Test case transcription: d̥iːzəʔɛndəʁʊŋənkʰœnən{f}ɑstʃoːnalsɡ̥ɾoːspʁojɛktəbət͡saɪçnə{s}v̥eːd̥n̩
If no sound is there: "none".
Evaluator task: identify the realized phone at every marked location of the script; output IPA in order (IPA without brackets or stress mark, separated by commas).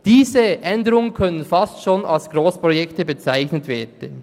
f, t